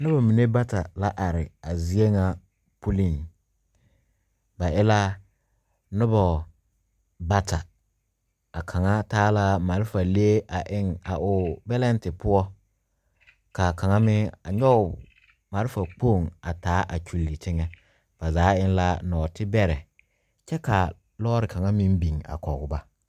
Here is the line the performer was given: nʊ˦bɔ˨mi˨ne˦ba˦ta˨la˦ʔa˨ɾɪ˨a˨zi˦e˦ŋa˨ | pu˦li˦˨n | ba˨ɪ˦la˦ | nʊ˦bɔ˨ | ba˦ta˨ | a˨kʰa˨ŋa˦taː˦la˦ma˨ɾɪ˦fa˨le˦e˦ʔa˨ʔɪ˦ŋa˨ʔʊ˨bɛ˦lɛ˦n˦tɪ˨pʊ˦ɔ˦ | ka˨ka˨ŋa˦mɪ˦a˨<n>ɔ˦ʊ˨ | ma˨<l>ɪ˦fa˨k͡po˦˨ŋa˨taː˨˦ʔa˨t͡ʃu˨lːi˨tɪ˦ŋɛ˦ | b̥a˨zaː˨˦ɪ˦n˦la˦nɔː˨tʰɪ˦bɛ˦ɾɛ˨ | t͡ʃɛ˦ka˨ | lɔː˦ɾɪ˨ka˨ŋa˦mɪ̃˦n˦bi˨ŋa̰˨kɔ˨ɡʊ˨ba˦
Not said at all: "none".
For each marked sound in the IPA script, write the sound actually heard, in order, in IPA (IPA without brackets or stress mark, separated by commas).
ɲ, ɾ